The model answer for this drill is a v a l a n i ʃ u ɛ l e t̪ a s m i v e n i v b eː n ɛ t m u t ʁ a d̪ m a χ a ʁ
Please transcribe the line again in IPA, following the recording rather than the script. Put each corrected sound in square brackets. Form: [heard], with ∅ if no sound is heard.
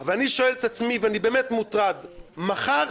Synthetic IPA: a v a l a n i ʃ [o] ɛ l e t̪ a [t͡s] m i v [a] n i [∅] b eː [m] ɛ t m u t ʁ a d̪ m a χ a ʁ